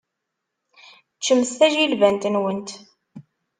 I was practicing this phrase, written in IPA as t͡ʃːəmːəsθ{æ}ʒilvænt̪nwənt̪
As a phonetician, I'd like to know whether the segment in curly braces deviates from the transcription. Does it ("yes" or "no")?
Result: no